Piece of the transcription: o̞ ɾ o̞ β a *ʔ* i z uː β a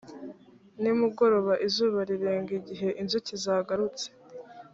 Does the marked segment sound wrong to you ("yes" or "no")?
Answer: no